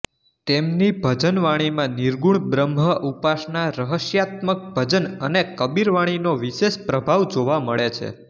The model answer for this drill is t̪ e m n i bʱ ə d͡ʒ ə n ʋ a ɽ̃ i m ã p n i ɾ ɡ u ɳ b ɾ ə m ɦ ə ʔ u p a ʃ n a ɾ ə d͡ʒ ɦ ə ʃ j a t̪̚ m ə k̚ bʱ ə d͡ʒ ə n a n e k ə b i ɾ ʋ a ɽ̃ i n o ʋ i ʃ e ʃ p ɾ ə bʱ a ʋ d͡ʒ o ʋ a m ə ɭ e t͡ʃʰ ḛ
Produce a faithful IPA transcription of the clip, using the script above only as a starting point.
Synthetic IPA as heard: t̪ e m n i bʱ ə d͡ʒ ə n ʋ a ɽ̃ i m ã n i ɾ ɡ u ɳ b ɾ ə m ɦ ə ʔ u p a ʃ n a ɾ ə ɦ ə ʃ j a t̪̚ m ə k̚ bʱ ə d͡ʒ ə n ə n e k ə b i ɾ ʋ a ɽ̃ i n o ʋ i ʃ e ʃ p ɾ ə bʱ a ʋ d͡ʒ o ʋ a m ə ɭ e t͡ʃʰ ḛ